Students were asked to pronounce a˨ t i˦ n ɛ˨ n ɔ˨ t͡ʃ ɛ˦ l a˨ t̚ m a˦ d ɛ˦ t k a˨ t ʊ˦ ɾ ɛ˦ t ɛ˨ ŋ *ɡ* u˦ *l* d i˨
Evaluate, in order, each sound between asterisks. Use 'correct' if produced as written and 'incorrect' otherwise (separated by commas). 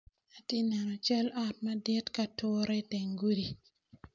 correct, incorrect